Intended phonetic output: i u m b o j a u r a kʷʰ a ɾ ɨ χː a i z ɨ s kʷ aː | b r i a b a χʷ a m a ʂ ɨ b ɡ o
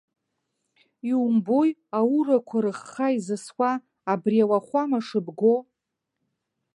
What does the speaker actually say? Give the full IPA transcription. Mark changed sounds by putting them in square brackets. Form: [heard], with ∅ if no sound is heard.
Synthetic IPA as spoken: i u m b o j a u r a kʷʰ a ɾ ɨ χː a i z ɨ s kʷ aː | b r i a [w] a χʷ a m a ʂ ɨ b ɡ o